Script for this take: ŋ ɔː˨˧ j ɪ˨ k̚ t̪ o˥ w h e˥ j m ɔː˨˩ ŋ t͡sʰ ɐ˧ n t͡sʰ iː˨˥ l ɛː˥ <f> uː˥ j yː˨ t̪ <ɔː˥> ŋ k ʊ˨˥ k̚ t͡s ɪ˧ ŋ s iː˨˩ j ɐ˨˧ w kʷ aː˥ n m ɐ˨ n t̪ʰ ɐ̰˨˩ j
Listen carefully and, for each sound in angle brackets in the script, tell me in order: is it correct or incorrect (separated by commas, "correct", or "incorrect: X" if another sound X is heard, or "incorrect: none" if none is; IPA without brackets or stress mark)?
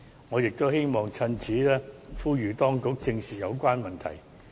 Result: correct, correct